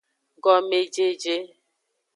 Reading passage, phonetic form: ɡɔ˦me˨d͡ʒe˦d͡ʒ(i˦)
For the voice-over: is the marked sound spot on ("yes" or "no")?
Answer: no